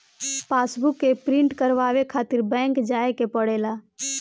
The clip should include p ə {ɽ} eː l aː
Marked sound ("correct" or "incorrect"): correct